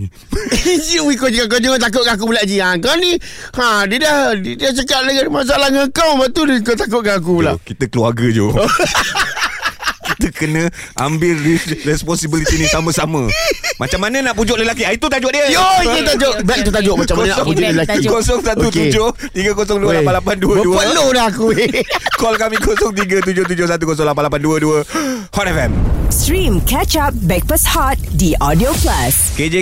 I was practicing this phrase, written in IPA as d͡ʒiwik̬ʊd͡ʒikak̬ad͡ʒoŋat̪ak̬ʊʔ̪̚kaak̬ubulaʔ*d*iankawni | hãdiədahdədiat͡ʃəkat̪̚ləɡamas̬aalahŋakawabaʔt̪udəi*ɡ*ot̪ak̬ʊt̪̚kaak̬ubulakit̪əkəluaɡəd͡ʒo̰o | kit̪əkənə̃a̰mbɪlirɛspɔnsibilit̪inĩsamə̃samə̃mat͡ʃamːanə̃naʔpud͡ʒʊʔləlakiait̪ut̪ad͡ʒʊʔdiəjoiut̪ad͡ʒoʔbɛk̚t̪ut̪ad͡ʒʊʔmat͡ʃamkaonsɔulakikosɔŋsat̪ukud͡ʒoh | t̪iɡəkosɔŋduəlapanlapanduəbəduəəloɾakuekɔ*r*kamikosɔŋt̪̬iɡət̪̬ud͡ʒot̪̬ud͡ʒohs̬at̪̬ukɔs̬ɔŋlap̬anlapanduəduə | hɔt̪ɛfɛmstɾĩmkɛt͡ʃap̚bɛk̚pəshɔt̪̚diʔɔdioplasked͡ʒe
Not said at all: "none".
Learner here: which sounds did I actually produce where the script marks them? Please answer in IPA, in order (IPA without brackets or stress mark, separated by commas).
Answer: d͡ʒ, k, l